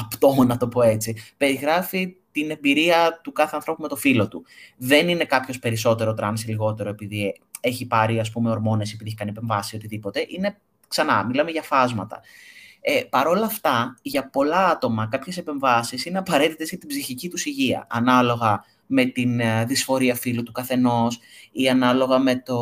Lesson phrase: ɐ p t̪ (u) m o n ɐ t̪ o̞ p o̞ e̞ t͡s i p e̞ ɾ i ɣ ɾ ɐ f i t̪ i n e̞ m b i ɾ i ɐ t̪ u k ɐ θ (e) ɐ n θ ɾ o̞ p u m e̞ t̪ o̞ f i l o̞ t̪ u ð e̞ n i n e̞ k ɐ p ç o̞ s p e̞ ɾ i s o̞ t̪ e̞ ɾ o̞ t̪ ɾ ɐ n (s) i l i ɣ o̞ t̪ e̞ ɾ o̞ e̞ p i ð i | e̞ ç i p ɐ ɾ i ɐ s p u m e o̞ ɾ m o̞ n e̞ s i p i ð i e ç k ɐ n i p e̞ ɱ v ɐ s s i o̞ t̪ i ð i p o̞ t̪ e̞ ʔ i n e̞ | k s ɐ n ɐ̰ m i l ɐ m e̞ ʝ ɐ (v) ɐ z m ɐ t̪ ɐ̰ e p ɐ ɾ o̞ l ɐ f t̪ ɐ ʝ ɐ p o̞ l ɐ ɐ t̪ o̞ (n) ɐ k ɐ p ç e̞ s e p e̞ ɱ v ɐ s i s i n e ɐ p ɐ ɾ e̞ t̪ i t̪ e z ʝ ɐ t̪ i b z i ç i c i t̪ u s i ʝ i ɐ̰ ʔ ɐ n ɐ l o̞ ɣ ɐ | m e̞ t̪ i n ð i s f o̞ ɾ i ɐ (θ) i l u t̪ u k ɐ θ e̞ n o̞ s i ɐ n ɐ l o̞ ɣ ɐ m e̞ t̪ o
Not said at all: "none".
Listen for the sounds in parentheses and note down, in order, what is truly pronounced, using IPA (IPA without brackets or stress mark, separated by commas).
o, e, s, f, m, f